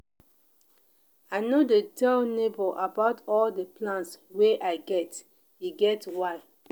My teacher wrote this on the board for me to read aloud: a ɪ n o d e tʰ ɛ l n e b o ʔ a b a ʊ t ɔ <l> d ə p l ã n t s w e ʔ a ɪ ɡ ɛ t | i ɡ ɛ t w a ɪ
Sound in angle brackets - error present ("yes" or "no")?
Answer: no